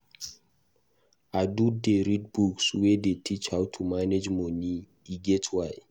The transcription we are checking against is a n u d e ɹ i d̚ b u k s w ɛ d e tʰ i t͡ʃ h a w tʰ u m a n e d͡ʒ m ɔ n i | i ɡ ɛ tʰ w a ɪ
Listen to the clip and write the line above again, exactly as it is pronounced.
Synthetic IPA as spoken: a d u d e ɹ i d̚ b u k s w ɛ d e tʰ i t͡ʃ h a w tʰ u m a n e d͡ʒ m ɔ n i | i ɡ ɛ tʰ w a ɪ